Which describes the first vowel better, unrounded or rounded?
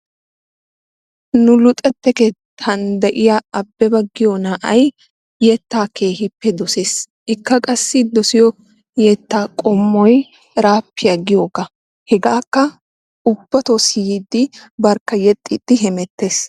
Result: rounded